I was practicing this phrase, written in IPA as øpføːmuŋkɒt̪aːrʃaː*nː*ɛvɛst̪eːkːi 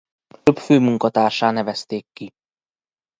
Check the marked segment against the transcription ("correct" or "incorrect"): incorrect